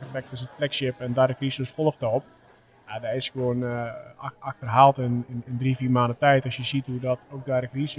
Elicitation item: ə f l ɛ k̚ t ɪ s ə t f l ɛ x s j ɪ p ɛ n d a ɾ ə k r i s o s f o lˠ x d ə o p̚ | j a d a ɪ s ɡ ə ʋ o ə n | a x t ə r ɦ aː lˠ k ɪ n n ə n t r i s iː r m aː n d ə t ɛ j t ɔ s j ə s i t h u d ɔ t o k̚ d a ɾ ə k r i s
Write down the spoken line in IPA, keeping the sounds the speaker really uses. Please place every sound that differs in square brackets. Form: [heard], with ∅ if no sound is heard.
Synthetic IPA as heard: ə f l ɛ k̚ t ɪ s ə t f l ɛ [k] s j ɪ p ɛ n d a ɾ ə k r i s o s f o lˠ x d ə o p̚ | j a d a ɪ s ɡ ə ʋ o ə n | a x t ə r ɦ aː lˠ [t] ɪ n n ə n [d] r i [f] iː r m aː n d ə t ɛ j t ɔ s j ə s i t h u d ɔ t o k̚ d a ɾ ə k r i s